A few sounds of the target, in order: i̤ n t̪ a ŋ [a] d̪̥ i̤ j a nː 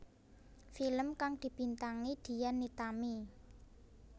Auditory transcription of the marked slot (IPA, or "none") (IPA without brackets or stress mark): i